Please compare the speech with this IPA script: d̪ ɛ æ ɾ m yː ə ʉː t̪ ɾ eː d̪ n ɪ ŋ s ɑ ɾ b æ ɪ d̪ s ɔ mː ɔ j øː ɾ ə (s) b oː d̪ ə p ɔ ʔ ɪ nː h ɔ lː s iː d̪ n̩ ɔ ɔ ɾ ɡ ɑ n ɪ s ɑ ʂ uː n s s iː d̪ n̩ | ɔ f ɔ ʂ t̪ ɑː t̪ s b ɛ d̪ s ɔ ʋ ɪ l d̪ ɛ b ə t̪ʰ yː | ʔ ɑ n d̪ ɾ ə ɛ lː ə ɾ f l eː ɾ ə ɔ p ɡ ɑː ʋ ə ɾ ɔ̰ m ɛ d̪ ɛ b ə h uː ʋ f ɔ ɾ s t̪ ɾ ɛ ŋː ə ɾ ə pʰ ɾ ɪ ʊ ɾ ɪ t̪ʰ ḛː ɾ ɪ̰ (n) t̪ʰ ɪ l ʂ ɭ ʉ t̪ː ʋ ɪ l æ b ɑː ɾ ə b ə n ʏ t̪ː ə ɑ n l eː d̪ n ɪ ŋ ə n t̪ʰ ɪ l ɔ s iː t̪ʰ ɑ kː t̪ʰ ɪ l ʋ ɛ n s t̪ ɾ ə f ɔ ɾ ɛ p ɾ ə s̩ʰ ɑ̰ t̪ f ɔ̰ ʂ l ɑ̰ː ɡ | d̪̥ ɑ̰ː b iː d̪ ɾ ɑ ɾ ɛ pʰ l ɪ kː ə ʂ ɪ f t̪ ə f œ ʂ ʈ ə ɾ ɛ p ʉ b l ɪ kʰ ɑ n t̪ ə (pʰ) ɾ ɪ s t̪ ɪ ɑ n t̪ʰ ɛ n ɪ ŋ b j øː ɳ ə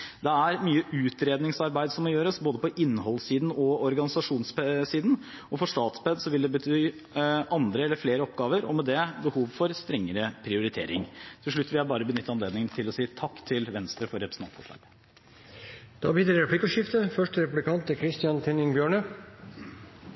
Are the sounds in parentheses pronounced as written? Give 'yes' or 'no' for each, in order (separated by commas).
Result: yes, no, no